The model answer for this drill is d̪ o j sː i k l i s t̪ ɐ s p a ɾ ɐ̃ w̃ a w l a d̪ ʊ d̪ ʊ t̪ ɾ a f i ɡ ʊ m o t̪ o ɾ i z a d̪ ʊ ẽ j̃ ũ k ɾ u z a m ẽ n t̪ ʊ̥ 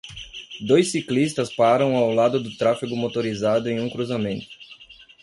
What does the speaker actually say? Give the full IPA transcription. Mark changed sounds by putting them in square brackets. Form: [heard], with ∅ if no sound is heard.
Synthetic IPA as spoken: d̪ o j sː i k l i s t̪ ɐ s p a ɾ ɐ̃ w̃ a w l a d̪ ʊ d̪ ʊ t̪ ɾ a f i ɡ ʊ m o t̪ o ɾ i z a d̪ ʊ ẽ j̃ ũ k ɾ u z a m ẽ n t̪ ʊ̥